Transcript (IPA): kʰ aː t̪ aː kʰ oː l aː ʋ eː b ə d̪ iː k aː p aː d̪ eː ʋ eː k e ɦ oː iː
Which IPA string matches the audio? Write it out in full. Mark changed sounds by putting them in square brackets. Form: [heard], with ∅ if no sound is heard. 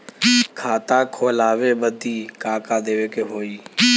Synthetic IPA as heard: kʰ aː t̪ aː kʰ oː l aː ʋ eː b ə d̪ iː k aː [k] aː d̪ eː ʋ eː k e ɦ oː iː